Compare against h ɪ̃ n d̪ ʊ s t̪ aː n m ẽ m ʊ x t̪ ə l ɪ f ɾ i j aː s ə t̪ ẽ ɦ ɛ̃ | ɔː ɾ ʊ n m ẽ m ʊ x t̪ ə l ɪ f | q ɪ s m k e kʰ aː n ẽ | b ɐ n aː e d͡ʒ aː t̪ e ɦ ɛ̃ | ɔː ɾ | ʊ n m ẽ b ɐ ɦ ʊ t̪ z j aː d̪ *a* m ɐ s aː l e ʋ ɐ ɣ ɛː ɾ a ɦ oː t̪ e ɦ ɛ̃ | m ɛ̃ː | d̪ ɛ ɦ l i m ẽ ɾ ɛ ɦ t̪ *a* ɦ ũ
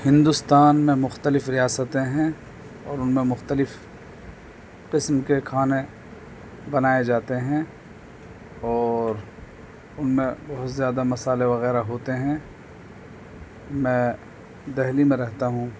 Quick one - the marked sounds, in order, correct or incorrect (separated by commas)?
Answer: correct, correct